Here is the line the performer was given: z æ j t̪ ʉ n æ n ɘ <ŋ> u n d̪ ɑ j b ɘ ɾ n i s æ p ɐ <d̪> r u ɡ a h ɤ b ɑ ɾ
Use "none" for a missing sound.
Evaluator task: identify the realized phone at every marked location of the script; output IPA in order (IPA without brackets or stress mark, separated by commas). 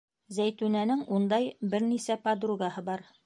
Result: ŋ, d̪